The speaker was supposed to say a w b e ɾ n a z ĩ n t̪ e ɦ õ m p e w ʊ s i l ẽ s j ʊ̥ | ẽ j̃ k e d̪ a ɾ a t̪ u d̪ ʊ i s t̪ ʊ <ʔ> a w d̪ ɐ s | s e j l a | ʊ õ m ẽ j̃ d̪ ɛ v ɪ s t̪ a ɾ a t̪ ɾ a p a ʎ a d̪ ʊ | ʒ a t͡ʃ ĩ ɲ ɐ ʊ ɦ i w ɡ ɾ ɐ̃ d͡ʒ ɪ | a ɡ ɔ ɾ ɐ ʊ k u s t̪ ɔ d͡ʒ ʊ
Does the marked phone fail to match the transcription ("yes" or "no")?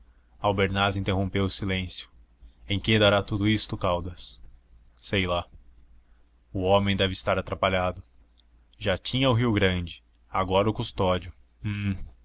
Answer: yes